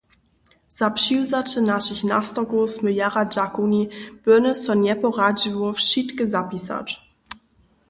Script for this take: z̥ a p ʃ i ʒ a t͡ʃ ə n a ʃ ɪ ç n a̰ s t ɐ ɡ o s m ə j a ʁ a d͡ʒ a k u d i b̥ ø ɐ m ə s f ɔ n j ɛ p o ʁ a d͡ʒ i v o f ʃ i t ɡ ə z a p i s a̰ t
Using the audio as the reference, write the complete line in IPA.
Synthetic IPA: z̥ a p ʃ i z a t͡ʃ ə n a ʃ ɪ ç n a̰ s t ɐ ɡ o s m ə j a ʁ a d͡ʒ a k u n i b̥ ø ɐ n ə s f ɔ n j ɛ p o ʁ a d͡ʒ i v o f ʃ i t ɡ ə z a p i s a̰ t

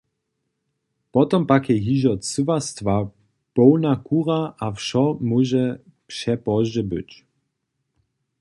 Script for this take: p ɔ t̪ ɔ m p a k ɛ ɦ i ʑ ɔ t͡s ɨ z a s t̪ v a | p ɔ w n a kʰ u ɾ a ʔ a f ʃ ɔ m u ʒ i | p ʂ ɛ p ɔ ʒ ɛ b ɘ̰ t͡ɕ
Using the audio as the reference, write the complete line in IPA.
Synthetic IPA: p ɔ t̪ ɔ m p a k ɛ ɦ i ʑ ɔ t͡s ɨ v a s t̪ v a | p ɔ w n a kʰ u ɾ a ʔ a f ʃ ɔ m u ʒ ɛ | p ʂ ɛ p ɔ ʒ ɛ b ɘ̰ t͡ɕ

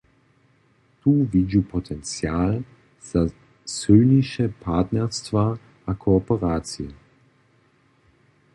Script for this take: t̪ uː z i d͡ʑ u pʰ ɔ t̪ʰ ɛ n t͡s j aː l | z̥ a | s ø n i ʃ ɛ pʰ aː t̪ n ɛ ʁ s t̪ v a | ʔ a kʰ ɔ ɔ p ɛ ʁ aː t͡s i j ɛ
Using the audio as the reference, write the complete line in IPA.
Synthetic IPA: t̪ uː v i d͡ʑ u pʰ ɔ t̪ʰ ɛ n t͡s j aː l | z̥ a | s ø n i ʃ ɛ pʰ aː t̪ n ɛ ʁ s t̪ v a | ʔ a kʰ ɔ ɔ p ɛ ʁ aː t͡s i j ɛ

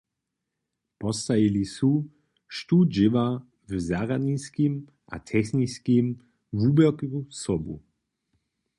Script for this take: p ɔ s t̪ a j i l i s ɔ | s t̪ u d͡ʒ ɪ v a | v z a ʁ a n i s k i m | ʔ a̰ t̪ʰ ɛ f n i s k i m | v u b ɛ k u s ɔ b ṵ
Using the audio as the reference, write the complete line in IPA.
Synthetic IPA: p ɔ s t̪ a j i l i s u | ʃ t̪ u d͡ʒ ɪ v a | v z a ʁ a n i s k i m | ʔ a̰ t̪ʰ ɛ x n i s k i m | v u b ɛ k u s ɔ b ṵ

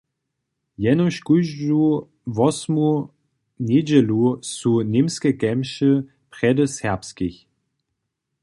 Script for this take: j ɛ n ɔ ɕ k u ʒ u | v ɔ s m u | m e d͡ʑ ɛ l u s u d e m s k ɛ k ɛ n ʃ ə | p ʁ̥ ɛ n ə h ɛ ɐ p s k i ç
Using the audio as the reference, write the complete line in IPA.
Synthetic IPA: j ɛ n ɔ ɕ k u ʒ u | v ɔ s m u | n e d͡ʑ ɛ l u s u n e m s k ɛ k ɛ m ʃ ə | p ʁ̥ ɛ d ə s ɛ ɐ p s k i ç

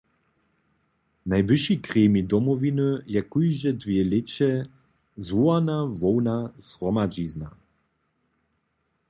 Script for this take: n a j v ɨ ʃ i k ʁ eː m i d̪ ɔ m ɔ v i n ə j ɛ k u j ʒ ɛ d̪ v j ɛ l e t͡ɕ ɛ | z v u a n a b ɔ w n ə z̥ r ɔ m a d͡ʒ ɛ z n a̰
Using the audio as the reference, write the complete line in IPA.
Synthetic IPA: n a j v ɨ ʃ i k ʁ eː m i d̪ ɔ m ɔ v i n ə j ɛ k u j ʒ ɛ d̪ v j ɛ l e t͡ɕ ɛ | z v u a n a v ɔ w n a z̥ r ɔ m a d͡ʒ i z n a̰

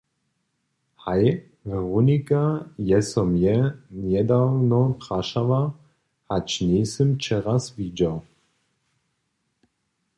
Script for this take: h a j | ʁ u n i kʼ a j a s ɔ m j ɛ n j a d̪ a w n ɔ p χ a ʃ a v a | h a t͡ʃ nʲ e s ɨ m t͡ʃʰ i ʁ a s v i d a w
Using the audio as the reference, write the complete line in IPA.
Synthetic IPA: h a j | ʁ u n i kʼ a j ɛ s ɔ m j ɛ n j ɛ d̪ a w n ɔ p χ a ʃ a v a | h a t͡ʃ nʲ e s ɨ m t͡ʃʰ ɛ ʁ a s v i d͡ʒ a w

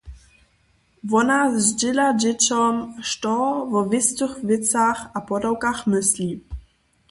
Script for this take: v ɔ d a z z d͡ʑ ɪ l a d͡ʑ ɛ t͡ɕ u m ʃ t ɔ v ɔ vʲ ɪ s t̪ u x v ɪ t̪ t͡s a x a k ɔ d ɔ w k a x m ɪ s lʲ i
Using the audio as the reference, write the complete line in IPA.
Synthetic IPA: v ɔ n a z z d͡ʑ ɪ l a d͡ʑ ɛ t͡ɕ ɔ m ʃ t ɔ v ɔ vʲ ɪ s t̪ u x v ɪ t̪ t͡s a x a p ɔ d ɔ w k a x m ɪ s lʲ i

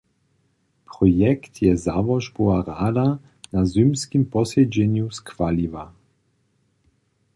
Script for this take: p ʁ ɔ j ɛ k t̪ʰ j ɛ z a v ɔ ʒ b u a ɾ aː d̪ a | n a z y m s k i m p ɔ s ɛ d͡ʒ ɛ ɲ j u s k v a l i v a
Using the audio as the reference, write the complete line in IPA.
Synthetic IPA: p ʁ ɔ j ɛ k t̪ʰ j ɛ z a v ɔ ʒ b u a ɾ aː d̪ a | n a z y m s k i m p ɔ s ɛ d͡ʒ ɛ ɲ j u s k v a l i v a

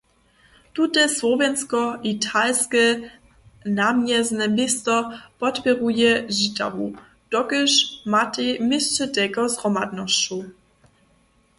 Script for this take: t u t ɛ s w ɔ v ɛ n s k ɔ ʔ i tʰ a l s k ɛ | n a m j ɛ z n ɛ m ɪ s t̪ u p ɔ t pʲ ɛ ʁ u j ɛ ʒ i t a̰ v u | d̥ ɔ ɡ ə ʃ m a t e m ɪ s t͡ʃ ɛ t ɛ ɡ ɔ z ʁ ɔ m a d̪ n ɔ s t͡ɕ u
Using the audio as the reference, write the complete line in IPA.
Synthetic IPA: t u t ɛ s w ɔ v ɛ n s k ɔ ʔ i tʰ a l s k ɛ | n a m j ɛ z n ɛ m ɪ s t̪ ɔ p ɔ t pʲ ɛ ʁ u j ɛ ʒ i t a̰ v u | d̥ ɔ ɡ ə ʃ m a t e m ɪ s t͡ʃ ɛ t ɛ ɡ ɔ z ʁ ɔ m a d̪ n ɔ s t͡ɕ u

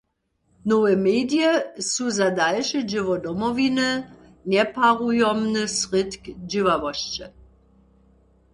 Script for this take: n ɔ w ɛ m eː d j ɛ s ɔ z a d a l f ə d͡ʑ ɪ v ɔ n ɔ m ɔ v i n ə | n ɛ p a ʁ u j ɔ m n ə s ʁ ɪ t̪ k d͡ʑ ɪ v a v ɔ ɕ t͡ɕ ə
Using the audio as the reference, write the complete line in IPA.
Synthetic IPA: n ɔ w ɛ m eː d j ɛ s u z a d a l ʃ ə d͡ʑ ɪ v ɔ d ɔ m ɔ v i n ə | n ɛ p a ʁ u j ɔ m n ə s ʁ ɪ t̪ k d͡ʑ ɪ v a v ɔ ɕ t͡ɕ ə

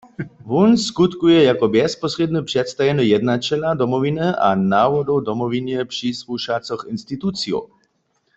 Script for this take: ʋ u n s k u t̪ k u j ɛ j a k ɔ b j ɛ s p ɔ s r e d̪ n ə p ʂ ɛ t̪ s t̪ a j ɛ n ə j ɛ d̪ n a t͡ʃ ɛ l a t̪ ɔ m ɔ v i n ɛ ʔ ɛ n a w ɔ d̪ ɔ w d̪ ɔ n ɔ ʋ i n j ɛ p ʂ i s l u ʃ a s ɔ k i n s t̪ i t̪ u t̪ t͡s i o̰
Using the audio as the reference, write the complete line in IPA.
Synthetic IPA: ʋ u n s k u t̪ k u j ɛ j a k ɔ b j ɛ s p ɔ s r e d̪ n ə p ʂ ɛ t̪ s t̪ a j ɛ n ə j ɛ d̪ n a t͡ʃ ɛ l a d̪ ɔ m ɔ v i n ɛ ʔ a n a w ɔ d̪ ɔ w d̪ ɔ m ɔ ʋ i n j ɛ p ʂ i s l u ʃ a t͡s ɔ x i n s t̪ i t̪ u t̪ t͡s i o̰

